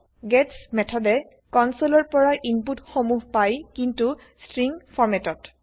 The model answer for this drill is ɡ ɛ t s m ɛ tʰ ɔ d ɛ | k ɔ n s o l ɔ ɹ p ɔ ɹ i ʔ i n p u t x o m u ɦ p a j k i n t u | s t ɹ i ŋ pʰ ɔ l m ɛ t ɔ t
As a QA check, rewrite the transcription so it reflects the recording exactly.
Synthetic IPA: ɡ ɛ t s m ɛ tʰ ɔ d ɛ | k ɔ n s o l ɔ ɹ p ɔ ɹ a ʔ i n p u t x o m u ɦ p a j k i n t u | s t ɹ i ŋ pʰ ɔ ɹ m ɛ t ɔ t